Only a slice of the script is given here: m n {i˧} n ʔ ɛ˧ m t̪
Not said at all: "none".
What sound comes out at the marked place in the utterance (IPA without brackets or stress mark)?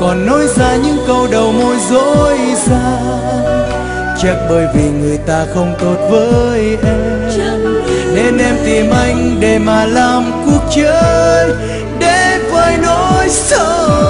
e˧